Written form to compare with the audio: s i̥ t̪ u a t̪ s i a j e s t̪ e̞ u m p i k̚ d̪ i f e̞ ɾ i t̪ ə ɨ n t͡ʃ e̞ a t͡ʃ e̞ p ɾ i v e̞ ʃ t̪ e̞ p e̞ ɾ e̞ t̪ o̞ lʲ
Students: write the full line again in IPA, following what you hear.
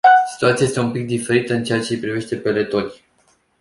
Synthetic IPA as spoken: s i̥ t̪ u a t̪ s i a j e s t̪ e̞ u m p i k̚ d̪ i f e̞ ɾ i t̪ ə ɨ n t͡ʃ e̞ a t͡ʃ e̞ p ɾ i v e̞ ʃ t̪ e̞ p e̞ l e̞ t̪ o̞ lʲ